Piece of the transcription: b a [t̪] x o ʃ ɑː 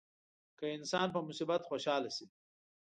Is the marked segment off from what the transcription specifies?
no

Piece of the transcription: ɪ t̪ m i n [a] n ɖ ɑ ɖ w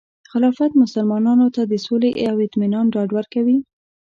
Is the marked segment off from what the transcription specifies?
yes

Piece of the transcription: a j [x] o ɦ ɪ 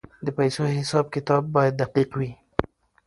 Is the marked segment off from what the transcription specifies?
yes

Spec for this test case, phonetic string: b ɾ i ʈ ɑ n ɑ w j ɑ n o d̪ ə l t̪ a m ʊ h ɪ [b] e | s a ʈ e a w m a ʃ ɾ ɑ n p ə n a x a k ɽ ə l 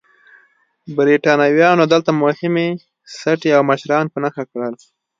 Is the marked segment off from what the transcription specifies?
yes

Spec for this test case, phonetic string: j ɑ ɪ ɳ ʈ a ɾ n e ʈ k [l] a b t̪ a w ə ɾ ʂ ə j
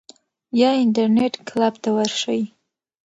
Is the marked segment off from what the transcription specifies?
no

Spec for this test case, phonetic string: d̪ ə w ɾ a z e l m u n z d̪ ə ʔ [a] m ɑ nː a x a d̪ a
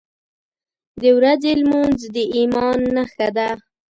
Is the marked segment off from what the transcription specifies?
yes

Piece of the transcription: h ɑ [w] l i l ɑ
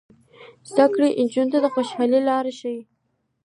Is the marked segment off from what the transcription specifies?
yes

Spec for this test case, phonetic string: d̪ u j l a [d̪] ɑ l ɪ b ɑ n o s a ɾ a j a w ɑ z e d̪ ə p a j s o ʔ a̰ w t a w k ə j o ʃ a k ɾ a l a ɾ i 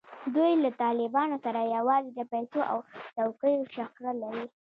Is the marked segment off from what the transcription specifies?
yes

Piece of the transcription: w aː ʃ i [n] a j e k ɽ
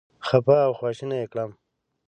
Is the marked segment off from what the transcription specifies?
no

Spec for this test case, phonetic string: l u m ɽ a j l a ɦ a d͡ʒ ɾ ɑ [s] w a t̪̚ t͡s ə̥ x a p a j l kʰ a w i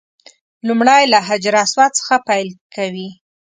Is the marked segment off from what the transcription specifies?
no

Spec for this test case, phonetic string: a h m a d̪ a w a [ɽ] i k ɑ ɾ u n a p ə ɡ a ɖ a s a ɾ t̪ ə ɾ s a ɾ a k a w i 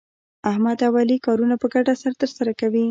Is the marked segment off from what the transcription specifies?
yes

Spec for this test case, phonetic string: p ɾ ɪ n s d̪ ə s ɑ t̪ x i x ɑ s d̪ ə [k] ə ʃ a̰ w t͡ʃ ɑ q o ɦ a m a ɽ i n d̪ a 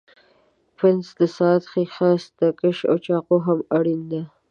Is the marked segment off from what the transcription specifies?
no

